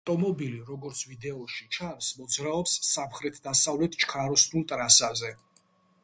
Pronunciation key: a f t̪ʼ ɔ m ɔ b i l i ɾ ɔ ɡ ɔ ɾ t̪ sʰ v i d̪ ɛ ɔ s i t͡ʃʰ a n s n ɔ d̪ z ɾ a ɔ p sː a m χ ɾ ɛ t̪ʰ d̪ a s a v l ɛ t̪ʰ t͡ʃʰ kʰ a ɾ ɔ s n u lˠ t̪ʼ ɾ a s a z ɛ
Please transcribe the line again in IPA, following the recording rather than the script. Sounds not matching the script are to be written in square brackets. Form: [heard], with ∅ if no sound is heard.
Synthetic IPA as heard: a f t̪ʼ ɔ m ɔ b i l i ɾ ɔ ɡ ɔ ɾ t̪ sʰ v i d̪ ɛ ɔ [ʃ] i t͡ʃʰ a n s [m] ɔ d̪ z ɾ a ɔ p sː a m χ ɾ ɛ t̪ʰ d̪ a s a v l ɛ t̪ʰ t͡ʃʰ kʰ a ɾ ɔ s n u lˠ t̪ʼ ɾ a s a z ɛ